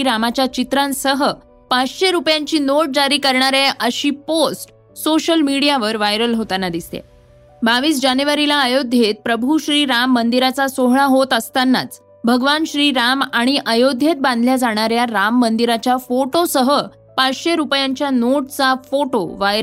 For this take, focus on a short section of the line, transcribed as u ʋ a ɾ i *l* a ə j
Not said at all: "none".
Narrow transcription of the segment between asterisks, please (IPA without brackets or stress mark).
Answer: l